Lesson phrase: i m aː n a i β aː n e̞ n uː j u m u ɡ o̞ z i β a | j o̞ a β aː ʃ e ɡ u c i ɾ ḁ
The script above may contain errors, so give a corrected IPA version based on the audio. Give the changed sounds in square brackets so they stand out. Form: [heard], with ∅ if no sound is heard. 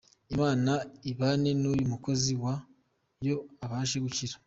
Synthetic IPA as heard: i m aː n a i β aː n e̞ n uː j u m u [k] o̞ z i [w] a | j o̞ a β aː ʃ e ɡ u c i ɾ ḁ